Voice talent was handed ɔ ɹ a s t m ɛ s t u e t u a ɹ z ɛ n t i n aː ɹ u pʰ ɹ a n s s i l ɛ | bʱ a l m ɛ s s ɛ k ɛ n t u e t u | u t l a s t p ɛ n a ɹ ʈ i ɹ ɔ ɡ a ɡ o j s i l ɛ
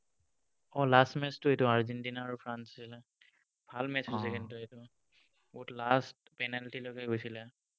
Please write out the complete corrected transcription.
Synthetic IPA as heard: ɔ l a s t m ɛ s t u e t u a ɹ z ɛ n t i n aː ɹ u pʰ ɹ a n s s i l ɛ | bʱ a l m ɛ s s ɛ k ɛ n t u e t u | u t l a s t p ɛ n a l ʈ i l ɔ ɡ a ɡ o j s i l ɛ